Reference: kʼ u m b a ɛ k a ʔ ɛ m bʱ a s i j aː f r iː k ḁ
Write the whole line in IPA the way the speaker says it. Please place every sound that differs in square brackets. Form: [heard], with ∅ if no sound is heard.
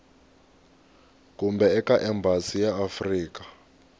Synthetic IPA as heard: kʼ u m b [ɛ] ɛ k a ʔ ɛ m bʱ a s i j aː f r iː k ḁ